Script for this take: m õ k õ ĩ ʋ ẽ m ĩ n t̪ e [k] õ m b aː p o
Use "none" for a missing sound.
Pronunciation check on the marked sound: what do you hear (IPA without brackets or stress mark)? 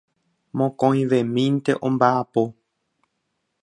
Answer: ʔ